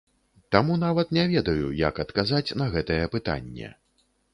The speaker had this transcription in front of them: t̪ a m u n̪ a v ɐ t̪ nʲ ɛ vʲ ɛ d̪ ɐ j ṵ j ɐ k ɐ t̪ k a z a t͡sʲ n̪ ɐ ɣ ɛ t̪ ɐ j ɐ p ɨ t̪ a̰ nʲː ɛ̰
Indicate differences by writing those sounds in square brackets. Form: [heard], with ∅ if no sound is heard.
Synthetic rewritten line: t̪ a m u n̪ a v ɐ t̪ nʲ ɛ vʲ ɛ d̪ ɐ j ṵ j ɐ k ɐ t̪ k a z a t͡sʲ n̪ ɐ ɣ ɛ t̪ ɐ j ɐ p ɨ t̪ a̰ nʲː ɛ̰